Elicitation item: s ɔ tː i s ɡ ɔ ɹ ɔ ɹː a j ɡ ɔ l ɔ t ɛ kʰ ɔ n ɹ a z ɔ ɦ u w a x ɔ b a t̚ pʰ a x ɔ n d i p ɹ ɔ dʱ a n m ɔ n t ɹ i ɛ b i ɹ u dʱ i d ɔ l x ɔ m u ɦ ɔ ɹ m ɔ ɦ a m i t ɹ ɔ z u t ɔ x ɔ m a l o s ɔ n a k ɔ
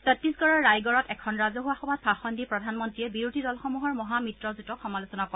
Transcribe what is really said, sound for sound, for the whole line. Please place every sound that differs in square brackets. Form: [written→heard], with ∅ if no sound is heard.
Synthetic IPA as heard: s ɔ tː i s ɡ ɔ ɹ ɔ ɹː a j ɡ ɔ [l→ɹ] ɔ t ɛ kʰ ɔ n ɹ a z ɔ ɦ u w a x ɔ b a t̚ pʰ a x ɔ n d i p ɹ ɔ dʱ a n m ɔ n t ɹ i ɛ b i ɹ u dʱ i d ɔ l x ɔ m u ɦ ɔ ɹ m ɔ ɦ a m i t ɹ ɔ z u t ɔ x ɔ m a l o s ɔ n a k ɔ